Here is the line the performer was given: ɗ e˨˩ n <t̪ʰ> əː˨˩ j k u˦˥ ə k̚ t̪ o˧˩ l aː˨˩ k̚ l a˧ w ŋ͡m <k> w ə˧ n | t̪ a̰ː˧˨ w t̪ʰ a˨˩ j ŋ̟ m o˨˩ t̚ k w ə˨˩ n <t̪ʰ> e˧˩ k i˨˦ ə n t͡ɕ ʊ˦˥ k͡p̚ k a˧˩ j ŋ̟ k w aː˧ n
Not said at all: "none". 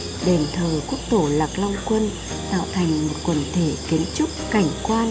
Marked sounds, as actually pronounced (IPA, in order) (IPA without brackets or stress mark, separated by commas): t̪ʰ, k, t̪ʰ